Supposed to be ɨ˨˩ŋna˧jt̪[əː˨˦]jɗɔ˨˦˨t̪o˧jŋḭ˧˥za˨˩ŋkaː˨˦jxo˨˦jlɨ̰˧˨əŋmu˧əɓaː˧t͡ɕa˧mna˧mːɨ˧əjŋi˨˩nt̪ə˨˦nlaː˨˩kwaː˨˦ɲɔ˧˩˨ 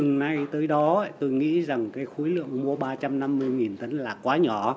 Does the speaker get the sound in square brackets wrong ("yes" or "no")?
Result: no